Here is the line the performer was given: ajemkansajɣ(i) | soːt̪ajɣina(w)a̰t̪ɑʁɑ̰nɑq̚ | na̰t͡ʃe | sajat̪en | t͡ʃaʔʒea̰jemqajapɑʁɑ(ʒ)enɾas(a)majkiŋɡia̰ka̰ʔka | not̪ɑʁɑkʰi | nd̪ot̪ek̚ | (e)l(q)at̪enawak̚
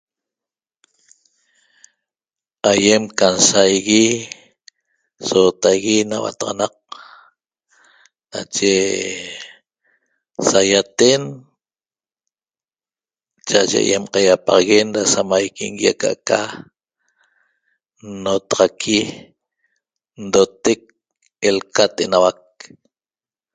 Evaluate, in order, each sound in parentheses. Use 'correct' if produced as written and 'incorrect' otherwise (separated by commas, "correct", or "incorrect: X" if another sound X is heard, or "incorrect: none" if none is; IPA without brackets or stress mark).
correct, correct, incorrect: ɣ, correct, correct, incorrect: k